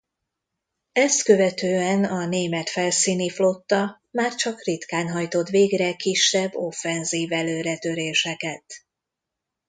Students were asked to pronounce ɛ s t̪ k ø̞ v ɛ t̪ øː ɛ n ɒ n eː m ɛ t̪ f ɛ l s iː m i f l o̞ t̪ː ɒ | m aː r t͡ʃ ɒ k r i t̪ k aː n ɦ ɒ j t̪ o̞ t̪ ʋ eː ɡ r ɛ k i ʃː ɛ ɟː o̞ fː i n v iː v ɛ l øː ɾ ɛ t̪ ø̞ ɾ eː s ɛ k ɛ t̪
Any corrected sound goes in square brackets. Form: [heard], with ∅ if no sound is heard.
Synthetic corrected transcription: ɛ s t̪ k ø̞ v ɛ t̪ øː ɛ n ɒ n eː m ɛ t̪ f ɛ l s iː [n] i f l o̞ t̪ː ɒ | m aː r t͡ʃ ɒ k r i t̪ k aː n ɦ ɒ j t̪ o̞ t̪ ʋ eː ɡ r ɛ k i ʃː ɛ [bː] o̞ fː [ɛ] n [z] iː v ɛ l øː ɾ ɛ t̪ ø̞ ɾ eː [ʃ] ɛ k ɛ t̪